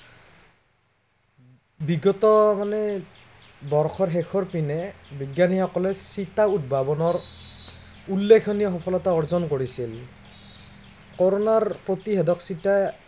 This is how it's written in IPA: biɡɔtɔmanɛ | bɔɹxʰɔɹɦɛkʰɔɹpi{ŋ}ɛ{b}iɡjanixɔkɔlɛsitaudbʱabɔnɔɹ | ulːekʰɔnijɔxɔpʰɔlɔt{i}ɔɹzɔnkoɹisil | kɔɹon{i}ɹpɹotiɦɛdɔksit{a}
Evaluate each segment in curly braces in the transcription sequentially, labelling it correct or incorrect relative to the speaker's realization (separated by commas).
incorrect, correct, incorrect, incorrect, correct